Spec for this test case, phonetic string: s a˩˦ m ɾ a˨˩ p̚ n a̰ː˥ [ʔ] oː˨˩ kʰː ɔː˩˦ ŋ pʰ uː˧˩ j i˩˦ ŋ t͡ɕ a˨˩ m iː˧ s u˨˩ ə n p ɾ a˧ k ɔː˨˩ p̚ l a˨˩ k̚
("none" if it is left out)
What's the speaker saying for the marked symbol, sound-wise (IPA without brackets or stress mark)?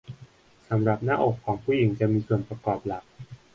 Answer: ʔ